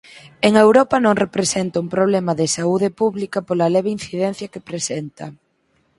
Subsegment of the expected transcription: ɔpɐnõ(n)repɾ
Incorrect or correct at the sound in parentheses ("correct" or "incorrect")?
incorrect